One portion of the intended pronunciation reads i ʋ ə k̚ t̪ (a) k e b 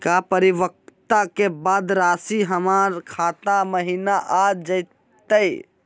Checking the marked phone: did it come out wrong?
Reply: no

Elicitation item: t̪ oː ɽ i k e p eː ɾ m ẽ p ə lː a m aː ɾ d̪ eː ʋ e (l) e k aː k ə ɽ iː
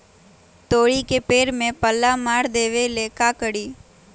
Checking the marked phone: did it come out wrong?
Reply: no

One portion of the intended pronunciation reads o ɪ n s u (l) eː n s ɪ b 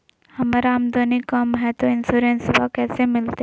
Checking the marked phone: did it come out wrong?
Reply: yes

